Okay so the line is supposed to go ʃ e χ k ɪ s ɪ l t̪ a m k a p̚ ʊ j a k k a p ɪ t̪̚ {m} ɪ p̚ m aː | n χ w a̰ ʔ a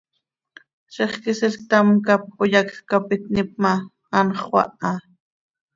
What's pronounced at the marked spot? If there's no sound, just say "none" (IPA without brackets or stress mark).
n